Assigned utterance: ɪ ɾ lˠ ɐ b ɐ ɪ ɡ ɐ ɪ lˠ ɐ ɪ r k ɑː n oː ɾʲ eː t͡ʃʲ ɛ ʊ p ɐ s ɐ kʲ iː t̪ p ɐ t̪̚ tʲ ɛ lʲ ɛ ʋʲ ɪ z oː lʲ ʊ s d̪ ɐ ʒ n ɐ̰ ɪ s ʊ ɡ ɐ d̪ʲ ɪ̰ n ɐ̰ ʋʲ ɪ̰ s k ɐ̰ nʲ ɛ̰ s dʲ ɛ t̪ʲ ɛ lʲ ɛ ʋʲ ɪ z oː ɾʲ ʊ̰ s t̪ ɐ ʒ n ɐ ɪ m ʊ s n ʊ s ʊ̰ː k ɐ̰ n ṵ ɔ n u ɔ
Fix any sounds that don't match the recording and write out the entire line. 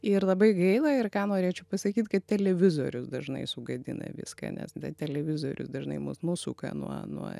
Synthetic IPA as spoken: ɪ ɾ lˠ ɐ b ɐ ɪ ɡ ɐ ɪ lˠ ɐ ɪ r k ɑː n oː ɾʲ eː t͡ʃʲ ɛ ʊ p ɐ s ɐ kʲ iː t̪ k ɐ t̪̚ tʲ ɛ lʲ ɛ ʋʲ ɪ z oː ɾʲ ʊ s d̪ ɐ ʒ n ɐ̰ ɪ s ʊ ɡ ɐ d̪ʲ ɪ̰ n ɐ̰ ʋʲ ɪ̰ s k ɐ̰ nʲ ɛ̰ s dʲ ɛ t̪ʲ ɛ lʲ ɛ ʋʲ ɪ z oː ɾʲ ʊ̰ s d̪ ɐ ʒ n ɐ ɪ m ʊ s n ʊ s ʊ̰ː k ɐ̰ n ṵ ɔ n u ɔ